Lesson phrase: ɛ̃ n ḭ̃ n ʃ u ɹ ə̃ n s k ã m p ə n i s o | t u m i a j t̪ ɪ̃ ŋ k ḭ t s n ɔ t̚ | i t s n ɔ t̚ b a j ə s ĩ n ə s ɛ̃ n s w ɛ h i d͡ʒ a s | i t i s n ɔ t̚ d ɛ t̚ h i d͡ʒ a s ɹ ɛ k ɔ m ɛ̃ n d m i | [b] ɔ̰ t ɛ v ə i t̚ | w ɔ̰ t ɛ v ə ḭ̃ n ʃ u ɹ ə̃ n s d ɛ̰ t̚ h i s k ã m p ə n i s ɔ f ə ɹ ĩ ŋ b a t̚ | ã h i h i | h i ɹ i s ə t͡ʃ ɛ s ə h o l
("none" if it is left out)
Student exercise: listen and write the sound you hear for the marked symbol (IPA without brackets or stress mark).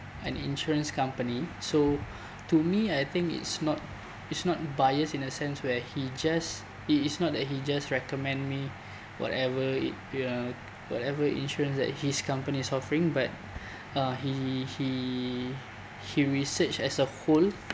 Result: w